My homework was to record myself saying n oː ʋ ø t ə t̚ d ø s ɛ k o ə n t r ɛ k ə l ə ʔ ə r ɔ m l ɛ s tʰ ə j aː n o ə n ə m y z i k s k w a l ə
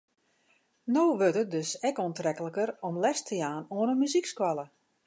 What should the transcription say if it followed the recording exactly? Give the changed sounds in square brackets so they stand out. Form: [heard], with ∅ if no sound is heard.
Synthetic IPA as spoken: n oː ʋ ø t ə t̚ d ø s ɛ k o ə n t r ɛ k ə l ə [k] ə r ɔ m l ɛ s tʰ ə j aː n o ə n ə m y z i k s k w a l ə